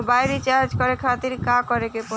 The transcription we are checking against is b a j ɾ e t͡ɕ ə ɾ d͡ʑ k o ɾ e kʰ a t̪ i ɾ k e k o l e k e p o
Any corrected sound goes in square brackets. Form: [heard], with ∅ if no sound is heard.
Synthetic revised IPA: b a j ɾ [i] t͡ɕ [a] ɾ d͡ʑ k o ɾ e kʰ a t̪ i ɾ k [a] k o [ɾ] e k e p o